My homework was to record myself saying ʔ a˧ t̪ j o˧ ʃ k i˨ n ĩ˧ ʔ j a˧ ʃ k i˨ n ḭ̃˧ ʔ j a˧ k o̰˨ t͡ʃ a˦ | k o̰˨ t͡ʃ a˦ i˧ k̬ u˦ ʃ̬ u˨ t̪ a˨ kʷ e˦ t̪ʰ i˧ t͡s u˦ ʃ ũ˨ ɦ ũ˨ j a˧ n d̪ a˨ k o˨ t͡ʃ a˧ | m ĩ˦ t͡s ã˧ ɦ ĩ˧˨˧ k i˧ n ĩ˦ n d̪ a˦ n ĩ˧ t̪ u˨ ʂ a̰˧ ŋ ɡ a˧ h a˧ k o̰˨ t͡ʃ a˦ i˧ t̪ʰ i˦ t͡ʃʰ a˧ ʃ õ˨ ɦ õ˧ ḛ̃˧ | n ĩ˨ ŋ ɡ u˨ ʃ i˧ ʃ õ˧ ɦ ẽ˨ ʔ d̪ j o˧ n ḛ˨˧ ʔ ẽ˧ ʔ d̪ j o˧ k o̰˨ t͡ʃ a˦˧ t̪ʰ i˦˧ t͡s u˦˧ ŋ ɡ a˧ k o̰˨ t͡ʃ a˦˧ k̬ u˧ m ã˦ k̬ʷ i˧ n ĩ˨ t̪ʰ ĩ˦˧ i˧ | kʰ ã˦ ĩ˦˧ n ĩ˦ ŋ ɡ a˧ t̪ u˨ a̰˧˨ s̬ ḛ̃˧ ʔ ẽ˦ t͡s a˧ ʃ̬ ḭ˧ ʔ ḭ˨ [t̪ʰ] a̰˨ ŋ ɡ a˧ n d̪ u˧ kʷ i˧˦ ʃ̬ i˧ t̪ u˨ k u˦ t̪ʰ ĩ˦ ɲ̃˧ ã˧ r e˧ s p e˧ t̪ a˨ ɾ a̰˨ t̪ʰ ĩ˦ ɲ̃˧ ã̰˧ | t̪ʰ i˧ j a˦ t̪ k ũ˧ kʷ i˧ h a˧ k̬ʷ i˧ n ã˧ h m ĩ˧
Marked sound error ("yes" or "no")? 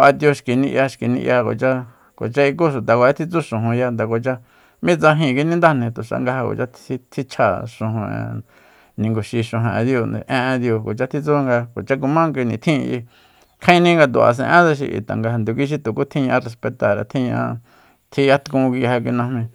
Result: yes